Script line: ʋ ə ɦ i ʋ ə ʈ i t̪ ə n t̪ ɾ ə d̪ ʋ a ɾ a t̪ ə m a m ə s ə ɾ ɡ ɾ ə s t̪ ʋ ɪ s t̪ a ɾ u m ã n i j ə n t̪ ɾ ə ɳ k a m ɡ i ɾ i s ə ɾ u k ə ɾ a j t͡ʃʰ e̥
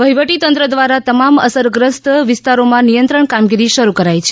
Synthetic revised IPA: ʋ ə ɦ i ʋ ə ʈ i t̪ ə n t̪ ɾ ə d̪ ʋ a ɾ a t̪ ə m a m ə s ə ɾ ɡ ɾ ə s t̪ ʋ ɪ s t̪ a ɾ o m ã n i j ə n t̪ ɾ ə ɳ k a m ɡ i ɾ i ʃ ə ɾ u k ə ɾ a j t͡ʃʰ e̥